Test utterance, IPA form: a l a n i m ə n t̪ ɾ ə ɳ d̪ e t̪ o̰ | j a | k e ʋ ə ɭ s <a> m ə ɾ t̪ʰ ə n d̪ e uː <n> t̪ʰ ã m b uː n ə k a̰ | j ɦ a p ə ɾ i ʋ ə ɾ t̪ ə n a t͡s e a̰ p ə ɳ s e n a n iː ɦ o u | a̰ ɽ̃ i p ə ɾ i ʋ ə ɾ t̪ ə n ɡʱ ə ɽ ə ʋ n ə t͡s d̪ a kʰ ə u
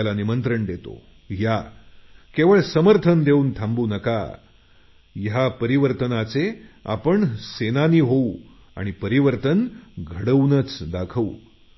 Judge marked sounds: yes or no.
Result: no, yes

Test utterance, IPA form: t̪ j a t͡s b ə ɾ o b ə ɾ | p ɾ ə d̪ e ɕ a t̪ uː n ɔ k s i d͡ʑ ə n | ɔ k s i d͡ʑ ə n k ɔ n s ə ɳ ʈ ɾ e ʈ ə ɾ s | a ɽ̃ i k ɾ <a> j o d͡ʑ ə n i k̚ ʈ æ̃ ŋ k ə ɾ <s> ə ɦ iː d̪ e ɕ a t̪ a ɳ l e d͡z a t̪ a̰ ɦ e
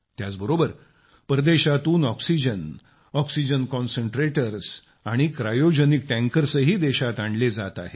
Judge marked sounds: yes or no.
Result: yes, yes

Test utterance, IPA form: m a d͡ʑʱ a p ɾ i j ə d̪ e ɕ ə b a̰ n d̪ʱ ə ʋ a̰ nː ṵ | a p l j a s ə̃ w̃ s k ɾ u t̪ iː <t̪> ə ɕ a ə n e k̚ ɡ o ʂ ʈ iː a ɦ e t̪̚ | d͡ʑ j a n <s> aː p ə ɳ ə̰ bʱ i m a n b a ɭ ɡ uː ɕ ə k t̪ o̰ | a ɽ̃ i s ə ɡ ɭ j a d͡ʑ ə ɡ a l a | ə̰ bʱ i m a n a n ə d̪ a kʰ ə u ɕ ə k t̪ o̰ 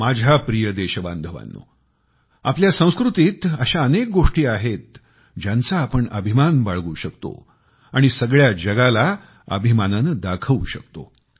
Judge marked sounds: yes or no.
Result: yes, no

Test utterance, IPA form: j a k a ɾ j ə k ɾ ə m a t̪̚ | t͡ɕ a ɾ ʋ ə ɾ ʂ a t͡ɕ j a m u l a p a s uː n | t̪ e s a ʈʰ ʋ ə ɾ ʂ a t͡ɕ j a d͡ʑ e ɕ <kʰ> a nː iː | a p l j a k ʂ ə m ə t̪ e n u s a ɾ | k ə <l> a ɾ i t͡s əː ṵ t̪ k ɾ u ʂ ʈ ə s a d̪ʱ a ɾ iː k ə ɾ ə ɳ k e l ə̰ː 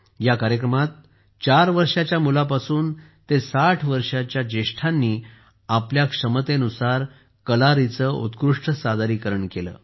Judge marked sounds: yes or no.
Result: no, yes

